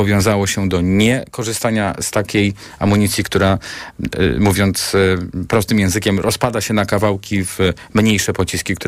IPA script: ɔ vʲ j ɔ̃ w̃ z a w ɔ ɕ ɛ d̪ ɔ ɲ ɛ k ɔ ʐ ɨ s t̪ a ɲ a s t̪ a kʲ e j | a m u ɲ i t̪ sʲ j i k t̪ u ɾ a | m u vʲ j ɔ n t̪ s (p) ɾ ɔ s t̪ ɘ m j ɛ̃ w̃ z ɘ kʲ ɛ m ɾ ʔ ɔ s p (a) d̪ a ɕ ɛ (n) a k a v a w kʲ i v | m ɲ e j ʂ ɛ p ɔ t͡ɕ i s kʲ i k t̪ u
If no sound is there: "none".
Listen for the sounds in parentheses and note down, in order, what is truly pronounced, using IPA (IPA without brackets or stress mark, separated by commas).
p, a, n